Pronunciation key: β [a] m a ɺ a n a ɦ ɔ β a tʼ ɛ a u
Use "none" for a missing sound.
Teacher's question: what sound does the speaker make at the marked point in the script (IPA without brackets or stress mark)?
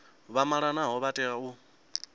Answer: a